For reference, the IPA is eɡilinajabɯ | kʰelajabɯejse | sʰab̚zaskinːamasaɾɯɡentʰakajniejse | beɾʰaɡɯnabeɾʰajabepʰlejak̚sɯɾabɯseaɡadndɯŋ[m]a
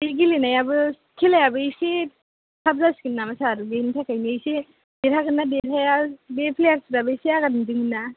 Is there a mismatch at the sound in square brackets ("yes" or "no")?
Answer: yes